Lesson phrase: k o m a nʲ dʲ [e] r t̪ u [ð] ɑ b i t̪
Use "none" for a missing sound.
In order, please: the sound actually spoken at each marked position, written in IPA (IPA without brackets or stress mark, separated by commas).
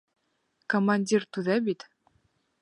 i, ð